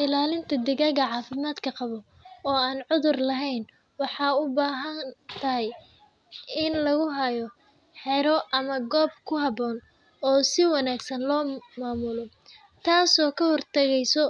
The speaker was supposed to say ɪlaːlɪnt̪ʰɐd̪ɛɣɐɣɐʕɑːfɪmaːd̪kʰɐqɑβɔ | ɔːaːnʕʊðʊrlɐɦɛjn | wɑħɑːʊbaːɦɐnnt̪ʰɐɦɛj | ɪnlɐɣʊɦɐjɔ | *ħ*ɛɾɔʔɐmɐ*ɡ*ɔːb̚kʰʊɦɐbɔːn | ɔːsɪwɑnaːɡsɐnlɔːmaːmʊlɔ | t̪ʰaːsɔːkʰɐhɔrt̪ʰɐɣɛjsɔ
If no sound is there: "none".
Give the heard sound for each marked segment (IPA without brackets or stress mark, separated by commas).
ħ, ɡ